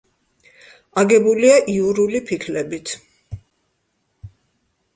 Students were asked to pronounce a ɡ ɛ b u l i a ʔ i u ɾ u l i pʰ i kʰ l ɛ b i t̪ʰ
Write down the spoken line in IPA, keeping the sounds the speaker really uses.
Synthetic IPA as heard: a ɡ ɛ b u l i a ʔ i u ɾ u l i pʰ i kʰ l ɛ b i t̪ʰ